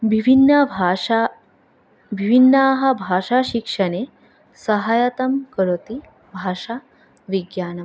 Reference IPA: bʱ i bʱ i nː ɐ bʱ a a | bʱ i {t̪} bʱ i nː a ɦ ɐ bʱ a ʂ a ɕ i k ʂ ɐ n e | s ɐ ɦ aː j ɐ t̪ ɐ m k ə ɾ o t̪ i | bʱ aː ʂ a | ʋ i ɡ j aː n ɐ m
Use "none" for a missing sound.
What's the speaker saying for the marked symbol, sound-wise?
none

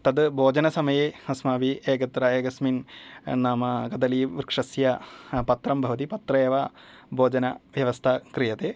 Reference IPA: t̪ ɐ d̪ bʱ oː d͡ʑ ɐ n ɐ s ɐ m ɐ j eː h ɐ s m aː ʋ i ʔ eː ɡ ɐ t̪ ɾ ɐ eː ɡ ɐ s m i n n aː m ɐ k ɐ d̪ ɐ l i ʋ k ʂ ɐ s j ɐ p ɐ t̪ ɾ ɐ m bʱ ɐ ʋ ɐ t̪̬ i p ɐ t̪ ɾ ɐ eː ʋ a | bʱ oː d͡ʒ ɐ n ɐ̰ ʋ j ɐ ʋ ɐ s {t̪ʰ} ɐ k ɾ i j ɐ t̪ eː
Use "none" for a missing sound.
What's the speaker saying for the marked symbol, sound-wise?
t̪ʰ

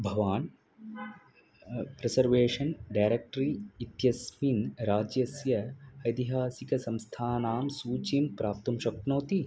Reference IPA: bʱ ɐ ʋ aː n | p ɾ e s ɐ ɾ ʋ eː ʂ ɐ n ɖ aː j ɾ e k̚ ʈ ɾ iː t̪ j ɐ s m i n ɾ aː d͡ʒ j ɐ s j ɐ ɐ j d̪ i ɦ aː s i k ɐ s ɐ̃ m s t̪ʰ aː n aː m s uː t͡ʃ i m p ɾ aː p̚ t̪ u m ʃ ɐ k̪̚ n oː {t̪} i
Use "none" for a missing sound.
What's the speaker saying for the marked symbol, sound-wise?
t̪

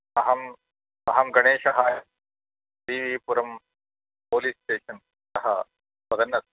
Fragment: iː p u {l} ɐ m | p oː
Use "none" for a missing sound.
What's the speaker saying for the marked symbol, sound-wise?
ɾ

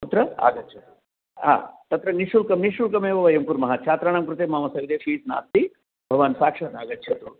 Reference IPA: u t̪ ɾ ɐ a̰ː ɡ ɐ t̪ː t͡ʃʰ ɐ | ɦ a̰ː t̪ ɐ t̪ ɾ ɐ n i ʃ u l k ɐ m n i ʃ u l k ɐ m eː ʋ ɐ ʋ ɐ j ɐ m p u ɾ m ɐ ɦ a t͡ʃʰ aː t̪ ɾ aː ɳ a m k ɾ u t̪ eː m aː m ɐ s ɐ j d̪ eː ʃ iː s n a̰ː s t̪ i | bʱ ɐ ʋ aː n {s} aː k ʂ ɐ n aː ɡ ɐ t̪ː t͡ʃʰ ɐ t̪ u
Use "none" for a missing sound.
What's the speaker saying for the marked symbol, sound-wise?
s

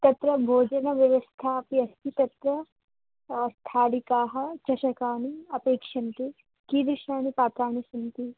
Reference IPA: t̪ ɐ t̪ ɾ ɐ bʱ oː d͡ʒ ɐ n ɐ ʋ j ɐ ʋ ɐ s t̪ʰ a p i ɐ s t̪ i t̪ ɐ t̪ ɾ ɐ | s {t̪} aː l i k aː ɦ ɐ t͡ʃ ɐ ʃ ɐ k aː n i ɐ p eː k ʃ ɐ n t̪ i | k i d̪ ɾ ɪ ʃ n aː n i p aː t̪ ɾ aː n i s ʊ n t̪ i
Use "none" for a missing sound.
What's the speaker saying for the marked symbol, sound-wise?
t̪ʰ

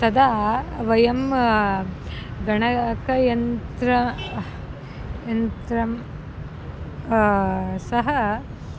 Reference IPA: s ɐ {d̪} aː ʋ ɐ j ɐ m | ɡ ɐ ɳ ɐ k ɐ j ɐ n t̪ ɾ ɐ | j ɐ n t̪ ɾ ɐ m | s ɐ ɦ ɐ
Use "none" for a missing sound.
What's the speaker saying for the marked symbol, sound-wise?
d̪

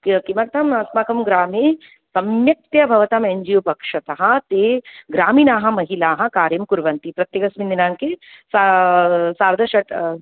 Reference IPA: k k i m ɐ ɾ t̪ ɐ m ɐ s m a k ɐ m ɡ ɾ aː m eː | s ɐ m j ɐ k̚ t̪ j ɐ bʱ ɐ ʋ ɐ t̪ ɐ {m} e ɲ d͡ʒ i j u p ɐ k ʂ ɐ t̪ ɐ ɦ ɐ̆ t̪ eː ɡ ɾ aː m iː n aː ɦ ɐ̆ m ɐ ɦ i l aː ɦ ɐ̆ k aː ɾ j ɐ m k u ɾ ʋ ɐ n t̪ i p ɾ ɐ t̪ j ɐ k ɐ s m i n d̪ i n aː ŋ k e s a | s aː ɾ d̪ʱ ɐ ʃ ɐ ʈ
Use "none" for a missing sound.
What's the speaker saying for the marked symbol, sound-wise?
m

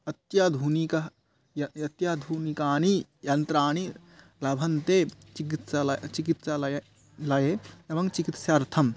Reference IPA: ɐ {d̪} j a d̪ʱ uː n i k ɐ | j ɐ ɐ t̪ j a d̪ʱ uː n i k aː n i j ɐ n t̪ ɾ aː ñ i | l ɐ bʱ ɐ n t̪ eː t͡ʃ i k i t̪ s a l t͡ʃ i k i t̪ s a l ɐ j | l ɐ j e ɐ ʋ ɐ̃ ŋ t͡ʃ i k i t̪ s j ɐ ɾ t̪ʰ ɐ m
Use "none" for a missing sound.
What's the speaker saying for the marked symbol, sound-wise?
t̪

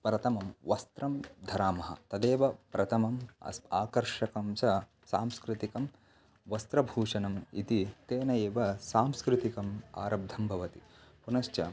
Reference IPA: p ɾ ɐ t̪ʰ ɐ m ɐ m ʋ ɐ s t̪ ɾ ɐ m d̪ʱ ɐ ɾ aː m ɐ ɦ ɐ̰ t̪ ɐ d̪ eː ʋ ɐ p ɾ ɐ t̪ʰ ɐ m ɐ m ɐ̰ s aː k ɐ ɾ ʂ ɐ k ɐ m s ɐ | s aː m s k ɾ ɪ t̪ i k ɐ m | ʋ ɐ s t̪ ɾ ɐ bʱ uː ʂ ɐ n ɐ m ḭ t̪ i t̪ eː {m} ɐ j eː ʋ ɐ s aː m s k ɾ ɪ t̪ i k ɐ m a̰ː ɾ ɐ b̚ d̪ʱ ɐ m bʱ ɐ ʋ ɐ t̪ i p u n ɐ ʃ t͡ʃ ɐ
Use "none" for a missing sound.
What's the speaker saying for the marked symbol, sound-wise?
n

